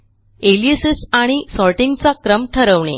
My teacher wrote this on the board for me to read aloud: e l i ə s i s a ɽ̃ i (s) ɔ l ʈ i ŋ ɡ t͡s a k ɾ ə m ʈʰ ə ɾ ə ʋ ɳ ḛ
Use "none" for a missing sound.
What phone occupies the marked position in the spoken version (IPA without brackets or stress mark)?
s